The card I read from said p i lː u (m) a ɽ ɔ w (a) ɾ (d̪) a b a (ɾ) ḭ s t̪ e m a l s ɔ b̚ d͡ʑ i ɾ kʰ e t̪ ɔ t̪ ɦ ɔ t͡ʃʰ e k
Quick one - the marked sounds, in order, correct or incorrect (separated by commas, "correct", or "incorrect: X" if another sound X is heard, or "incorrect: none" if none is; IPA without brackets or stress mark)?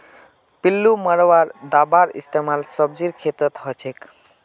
correct, correct, correct, correct